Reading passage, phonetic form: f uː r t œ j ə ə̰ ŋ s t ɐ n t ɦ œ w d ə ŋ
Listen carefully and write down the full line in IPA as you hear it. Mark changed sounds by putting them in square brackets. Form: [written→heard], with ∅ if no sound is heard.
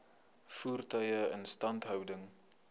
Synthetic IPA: f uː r t œ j ə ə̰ [ŋ→n] s t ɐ n t ɦ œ w d ə ŋ